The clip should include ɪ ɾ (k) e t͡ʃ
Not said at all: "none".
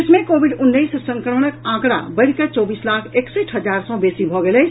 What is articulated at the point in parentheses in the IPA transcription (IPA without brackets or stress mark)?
k